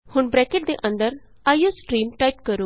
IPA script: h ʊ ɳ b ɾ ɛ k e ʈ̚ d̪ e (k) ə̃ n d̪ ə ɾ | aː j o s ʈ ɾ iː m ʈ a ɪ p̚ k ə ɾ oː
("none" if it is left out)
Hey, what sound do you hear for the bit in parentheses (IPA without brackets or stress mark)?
ʔ